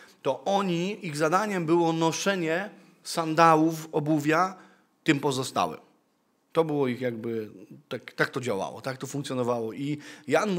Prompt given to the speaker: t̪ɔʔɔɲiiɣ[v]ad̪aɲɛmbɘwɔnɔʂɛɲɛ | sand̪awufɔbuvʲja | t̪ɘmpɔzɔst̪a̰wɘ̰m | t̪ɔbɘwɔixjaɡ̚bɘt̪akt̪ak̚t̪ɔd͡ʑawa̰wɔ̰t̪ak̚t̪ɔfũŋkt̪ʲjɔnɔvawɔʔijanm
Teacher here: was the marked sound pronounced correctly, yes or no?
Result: no